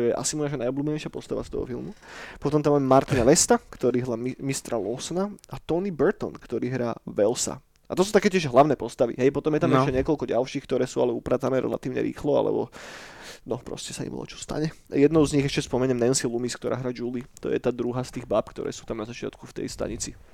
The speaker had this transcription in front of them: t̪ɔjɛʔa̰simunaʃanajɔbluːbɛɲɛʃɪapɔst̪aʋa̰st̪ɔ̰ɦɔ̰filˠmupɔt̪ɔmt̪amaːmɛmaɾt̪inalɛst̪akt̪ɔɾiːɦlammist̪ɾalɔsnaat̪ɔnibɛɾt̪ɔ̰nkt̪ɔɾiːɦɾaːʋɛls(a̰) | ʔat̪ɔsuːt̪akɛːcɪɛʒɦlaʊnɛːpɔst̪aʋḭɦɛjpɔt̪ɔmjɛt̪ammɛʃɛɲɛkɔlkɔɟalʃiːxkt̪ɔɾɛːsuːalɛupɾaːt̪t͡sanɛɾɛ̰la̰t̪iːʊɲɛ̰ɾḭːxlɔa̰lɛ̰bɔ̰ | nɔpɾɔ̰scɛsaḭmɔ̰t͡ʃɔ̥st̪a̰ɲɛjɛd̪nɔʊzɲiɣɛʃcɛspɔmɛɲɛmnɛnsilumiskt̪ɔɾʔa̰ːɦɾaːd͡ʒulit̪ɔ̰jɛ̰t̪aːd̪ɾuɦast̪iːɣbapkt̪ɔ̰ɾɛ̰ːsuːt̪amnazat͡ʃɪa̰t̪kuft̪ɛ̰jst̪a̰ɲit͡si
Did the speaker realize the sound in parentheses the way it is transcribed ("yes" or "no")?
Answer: yes